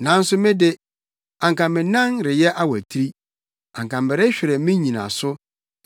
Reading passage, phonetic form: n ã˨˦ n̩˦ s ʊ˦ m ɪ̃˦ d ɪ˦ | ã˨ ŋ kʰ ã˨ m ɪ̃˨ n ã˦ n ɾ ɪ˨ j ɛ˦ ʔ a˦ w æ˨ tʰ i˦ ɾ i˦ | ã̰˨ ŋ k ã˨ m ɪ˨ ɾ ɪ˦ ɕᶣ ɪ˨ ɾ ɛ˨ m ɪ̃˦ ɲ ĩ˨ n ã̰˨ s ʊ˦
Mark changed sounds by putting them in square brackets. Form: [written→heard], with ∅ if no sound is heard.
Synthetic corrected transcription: n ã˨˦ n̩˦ s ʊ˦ m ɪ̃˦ d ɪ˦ | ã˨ ŋ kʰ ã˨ m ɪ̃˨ n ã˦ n ɾ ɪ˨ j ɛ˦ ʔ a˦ w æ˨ tʰ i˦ ɾ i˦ | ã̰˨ ŋ k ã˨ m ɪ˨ ɾ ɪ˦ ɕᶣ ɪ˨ ɾ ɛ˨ m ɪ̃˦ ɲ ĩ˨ n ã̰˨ s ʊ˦